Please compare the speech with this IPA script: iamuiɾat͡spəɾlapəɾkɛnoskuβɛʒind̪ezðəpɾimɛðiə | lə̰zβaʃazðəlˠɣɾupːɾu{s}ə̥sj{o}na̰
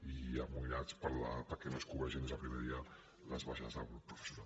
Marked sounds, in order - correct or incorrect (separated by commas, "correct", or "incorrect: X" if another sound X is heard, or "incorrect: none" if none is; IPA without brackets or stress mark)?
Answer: incorrect: f, incorrect: u